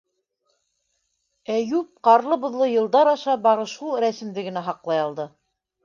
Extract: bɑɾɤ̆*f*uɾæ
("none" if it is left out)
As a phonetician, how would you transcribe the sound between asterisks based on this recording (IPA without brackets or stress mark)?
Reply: ʃ